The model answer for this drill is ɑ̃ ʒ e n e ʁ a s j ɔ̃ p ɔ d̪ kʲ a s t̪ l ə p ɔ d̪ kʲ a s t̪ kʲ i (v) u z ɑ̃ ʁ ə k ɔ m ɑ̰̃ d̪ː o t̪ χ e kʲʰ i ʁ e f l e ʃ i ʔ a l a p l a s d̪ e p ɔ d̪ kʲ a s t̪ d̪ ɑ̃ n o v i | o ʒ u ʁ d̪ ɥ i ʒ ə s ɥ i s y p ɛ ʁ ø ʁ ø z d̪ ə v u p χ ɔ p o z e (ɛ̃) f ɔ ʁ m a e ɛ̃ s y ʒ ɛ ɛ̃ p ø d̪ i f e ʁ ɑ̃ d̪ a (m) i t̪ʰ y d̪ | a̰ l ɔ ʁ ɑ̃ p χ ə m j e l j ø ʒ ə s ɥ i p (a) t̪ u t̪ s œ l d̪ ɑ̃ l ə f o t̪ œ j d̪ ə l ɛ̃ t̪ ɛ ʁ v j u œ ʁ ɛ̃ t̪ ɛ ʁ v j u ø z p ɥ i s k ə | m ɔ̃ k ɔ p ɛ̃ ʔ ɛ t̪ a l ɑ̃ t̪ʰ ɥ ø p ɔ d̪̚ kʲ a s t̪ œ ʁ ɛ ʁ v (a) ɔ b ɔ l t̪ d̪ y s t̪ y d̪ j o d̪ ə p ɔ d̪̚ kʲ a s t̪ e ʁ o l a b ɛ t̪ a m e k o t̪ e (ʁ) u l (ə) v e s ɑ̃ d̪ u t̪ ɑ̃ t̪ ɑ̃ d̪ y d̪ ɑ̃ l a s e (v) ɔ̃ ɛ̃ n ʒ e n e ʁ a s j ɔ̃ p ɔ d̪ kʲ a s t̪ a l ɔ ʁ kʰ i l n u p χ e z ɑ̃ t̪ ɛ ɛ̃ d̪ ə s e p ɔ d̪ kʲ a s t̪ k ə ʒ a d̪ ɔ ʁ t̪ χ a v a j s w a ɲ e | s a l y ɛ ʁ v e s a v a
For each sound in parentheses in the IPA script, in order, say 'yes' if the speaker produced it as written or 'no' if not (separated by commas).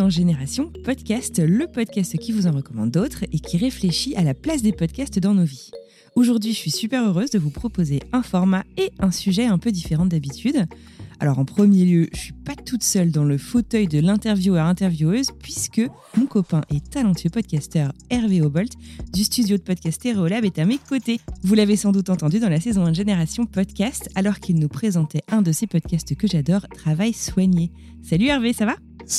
yes, yes, no, yes, no, no, no, no